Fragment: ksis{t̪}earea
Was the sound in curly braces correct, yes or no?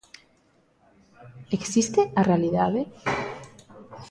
yes